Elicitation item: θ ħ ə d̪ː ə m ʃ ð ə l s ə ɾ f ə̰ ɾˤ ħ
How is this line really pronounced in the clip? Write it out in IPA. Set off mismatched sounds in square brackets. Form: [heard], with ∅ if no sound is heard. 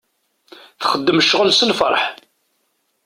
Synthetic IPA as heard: θ [χ] ə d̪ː ə m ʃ [ʁ] ə l s ə [l] f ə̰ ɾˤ ħ